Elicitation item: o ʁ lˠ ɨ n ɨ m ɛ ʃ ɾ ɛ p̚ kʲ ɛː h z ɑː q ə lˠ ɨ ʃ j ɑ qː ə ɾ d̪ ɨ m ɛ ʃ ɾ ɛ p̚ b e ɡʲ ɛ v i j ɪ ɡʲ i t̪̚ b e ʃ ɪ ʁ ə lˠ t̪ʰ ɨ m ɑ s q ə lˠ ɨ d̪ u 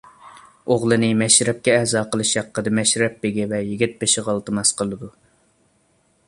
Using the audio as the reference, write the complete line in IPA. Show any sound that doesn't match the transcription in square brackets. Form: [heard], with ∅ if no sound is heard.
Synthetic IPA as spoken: o ʁ lˠ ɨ n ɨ m ɛ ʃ ɾ ɛ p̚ kʲ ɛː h z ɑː q ə lˠ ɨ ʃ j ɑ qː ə [∅] d̪ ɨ m ɛ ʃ ɾ ɛ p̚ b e ɡʲ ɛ v [ɛ] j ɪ ɡʲ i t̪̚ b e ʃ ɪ ʁ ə lˠ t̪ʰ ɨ m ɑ s q ə lˠ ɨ d̪ u